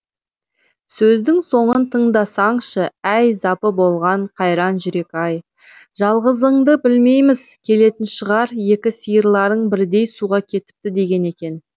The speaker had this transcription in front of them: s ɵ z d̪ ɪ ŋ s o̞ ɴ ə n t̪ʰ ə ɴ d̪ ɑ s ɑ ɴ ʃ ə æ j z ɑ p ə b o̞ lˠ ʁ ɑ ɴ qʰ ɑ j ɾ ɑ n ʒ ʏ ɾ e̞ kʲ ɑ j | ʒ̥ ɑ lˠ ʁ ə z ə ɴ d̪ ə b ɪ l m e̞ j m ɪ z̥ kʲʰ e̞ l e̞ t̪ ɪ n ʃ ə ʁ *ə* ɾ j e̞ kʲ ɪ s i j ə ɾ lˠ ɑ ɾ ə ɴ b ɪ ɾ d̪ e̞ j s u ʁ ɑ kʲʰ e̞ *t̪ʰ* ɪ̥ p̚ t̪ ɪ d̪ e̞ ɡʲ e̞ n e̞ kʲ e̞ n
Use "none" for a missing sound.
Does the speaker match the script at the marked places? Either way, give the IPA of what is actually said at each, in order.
ɑ, t̪

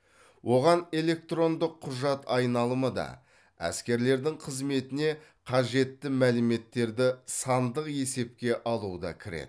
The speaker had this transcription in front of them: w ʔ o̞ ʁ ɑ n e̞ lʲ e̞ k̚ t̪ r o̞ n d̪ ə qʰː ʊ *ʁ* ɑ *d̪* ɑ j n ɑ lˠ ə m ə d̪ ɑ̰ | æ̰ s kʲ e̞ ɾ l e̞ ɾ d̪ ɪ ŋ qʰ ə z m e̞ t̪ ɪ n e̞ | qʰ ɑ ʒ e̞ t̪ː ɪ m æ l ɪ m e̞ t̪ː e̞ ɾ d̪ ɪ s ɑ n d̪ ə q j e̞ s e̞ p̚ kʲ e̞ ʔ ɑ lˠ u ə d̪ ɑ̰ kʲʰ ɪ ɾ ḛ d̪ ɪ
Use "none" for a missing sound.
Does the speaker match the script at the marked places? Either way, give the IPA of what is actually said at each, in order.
ʒ, t̪

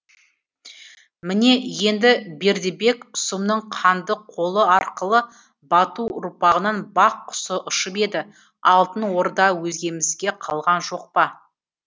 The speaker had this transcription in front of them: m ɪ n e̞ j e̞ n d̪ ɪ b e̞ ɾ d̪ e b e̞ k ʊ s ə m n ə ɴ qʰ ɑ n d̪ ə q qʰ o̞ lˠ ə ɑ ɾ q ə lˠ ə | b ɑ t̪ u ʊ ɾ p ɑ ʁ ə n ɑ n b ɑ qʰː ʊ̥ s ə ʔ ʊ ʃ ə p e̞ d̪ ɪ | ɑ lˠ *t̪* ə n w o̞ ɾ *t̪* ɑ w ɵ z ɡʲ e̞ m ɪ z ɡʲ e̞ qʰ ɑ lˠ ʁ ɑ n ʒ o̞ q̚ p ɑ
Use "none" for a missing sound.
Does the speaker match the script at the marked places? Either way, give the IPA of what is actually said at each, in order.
t̪, d̪

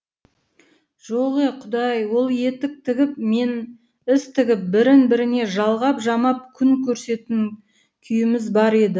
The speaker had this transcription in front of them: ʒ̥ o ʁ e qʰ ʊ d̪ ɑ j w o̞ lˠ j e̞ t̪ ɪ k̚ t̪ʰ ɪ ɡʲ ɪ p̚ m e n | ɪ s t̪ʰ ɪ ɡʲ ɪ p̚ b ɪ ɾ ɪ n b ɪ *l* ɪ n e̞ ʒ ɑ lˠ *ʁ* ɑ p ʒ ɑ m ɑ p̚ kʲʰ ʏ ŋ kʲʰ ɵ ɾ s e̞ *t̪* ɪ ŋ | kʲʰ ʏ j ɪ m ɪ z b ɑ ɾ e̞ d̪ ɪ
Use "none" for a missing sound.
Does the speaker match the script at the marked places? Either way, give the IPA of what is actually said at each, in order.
ɾ, ʁ, t̪

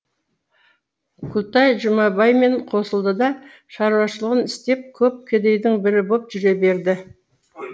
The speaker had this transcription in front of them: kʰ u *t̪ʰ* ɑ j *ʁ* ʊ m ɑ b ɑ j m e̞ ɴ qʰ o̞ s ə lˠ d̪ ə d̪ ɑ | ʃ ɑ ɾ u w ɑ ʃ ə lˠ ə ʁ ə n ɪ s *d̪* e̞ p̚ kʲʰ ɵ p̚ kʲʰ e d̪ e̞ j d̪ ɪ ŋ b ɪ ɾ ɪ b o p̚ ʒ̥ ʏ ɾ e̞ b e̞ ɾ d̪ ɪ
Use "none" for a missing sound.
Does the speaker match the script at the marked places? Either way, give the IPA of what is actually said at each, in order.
t̪, ʒ, t̪

